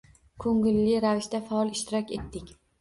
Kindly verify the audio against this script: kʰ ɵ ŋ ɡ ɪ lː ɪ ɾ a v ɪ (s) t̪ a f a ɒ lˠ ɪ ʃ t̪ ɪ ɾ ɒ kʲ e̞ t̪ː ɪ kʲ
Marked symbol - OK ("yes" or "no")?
no